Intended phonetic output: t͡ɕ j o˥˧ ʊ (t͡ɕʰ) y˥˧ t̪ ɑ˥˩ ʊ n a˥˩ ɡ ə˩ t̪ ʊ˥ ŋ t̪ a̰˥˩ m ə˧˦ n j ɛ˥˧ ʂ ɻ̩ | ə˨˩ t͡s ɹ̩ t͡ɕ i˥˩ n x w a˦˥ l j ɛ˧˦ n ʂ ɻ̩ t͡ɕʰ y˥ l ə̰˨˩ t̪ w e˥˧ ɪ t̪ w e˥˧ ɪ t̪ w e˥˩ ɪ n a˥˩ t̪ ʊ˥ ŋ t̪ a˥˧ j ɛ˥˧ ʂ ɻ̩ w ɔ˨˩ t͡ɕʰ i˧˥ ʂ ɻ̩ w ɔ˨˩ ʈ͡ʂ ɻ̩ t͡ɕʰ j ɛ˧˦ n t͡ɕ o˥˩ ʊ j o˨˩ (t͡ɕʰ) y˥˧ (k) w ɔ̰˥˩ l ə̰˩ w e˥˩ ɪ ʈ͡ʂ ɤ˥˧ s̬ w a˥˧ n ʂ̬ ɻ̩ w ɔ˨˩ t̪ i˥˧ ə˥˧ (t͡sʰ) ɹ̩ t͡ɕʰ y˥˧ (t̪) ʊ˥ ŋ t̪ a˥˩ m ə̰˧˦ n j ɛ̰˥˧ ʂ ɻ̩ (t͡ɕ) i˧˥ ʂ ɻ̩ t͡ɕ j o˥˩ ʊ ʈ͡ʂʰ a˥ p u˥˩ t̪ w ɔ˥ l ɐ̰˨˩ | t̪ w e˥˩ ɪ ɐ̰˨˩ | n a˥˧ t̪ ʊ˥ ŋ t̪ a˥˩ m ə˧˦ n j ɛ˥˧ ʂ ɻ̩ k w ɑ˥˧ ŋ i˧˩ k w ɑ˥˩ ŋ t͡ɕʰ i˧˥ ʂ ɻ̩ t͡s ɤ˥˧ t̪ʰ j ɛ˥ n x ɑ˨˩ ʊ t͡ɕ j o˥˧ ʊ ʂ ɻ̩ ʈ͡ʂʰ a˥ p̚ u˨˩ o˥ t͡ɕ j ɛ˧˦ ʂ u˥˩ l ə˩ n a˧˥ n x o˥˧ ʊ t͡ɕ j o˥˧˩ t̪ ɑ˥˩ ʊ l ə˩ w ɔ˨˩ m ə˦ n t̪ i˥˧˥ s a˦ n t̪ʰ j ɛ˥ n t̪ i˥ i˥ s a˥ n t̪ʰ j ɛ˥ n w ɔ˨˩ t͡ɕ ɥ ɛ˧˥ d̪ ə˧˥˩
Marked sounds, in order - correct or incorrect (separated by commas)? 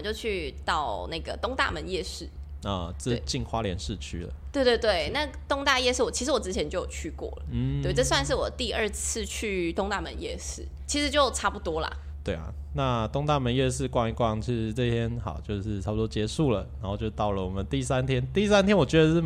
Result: correct, correct, correct, correct, correct, incorrect